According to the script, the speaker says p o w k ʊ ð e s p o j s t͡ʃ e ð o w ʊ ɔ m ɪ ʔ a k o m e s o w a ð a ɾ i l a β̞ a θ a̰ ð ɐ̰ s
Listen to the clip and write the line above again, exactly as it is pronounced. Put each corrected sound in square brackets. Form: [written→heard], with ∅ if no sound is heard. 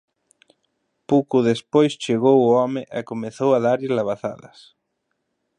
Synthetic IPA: p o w k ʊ ð e s p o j s t͡ʃ e [ð→ɣ] o w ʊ ɔ m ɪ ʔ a k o m e [s→θ] o w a ð a ɾ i l a β̞ a θ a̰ ð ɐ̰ s